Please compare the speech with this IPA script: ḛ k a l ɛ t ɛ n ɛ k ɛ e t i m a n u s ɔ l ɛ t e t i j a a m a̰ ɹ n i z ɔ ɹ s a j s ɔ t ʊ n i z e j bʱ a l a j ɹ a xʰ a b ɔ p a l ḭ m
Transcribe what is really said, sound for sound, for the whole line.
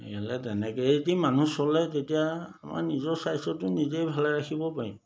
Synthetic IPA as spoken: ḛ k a l ɛ t ɛ n ɛ k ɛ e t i m a n u s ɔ l ɛ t e t i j a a m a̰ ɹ n i z ɔ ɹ s a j s ɔ t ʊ n i z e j bʱ a l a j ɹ a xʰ i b ɔ p a ɹ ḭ m